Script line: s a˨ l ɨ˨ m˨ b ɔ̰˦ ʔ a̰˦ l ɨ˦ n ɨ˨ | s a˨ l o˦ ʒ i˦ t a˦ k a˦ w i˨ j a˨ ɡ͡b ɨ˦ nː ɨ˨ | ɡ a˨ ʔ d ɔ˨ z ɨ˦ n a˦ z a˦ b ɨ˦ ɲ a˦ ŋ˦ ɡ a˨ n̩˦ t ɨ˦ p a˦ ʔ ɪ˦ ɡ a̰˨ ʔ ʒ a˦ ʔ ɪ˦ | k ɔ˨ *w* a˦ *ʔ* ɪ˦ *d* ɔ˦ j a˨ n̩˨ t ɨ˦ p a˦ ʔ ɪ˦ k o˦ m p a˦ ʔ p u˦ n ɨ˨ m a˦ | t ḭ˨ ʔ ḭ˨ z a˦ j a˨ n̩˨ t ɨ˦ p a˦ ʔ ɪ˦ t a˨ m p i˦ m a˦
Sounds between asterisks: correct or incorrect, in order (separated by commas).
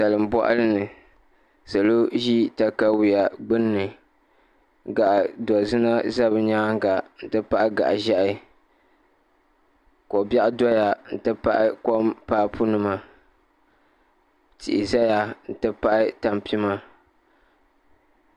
incorrect, correct, correct